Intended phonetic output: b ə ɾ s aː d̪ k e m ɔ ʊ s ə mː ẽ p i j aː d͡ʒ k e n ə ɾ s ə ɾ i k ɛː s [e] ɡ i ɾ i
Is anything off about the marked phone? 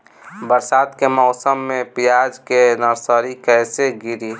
no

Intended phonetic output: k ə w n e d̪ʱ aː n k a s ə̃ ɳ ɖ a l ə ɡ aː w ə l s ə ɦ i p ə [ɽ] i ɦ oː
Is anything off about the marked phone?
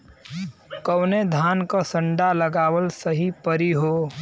yes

